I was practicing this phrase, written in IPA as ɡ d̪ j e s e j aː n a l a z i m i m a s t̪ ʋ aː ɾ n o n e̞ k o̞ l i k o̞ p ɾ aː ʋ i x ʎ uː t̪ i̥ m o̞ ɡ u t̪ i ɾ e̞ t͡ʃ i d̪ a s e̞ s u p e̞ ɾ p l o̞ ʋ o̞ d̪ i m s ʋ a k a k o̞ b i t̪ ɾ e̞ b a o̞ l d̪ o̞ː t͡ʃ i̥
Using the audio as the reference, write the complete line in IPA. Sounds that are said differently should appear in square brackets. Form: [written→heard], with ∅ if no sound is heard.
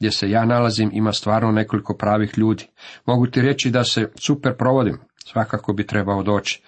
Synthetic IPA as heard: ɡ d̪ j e s e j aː n a l a z i m i m a s t̪ ʋ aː ɾ n o n e̞ k o̞ l i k o̞ p ɾ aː ʋ i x ʎ uː [t̪→d̪] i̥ m o̞ ɡ u t̪ i ɾ e̞ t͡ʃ i d̪ a s e̞ s u p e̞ ɾ p [l→ɾ] o̞ ʋ o̞ d̪ i m s ʋ a k a k o̞ b i t̪ ɾ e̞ b a o̞ [l→∅] d̪ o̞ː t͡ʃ i̥